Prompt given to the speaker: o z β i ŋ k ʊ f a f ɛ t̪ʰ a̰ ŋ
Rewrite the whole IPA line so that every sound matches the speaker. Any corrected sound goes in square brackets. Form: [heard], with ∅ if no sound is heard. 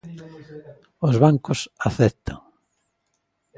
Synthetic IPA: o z β [a] ŋ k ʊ [s] a [θ] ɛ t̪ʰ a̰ ŋ